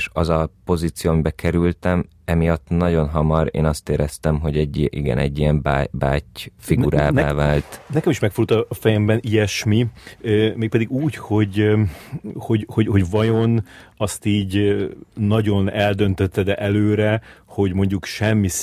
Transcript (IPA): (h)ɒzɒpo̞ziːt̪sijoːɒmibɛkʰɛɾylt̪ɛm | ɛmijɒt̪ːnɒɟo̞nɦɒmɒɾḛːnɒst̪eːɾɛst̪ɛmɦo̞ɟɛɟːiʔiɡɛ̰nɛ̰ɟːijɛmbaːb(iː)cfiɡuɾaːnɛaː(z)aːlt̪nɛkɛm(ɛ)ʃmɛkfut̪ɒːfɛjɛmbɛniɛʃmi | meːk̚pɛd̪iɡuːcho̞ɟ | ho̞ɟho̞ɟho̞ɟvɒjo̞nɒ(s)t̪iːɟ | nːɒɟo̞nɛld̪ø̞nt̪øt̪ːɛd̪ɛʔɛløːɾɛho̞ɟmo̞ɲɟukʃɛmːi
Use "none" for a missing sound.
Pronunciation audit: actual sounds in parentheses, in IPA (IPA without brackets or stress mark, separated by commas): ʃ, aː, v, i, s